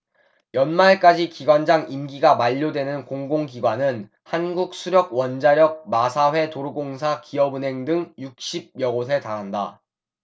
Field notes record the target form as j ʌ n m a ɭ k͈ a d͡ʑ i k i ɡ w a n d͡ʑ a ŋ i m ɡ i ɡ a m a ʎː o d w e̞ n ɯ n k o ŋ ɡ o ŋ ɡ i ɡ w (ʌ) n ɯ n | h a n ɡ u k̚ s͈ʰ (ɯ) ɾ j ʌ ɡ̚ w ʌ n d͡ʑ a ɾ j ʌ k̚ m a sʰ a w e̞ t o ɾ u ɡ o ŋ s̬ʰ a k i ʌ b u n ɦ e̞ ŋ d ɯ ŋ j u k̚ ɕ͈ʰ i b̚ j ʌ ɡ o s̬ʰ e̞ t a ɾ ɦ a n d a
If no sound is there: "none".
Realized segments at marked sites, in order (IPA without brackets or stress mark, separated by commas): a, u